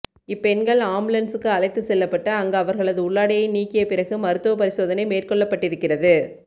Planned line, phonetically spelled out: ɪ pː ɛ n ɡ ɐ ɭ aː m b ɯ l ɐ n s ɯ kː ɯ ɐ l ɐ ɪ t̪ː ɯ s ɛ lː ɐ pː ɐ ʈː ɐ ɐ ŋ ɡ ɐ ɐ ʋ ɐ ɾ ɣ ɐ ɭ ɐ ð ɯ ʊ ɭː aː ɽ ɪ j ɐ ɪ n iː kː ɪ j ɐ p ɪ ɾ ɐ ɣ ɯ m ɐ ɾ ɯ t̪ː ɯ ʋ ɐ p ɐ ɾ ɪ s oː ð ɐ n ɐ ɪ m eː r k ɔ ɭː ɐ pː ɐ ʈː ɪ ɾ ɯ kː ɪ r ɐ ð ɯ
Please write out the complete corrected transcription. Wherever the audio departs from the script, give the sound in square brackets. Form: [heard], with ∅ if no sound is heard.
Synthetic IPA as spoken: ɪ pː ɛ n ɡ ɐ ɭ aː m b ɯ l ɐ n s ɯ kː ɯ ɐ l ɐ ɪ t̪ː ɯ s ɛ lː ɐ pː ɐ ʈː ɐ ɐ ŋ ɡ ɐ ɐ ʋ ɐ ɾ ɣ ɐ ɭ ɐ ð ɯ ʊ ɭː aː ɽ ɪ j ɐ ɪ n iː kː ɪ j ɐ p ɪ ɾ ɐ ɣ ɯ m ɐ ɾ ɯ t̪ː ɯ ʋ ɐ p ɐ ɾ ɪ s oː ð ɐ n ɐ ɪ m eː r k ɔ ɭː ɐ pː ɐ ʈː ɪ ɾ ɯ kː ɪ r ɐ ð ɯ